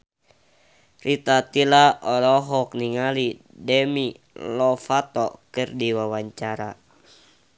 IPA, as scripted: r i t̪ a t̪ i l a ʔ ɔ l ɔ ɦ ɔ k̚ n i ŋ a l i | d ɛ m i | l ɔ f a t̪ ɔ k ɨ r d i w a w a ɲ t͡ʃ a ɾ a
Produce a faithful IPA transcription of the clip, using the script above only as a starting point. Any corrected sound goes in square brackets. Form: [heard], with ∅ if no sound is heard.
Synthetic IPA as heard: r i t̪ a t̪ i l a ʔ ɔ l ɔ ɦ ɔ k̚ n i ŋ a l i | d ɛ m i | l ɔ f a t̪ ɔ k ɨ r d i w a w a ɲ t͡ʃ a ɾ a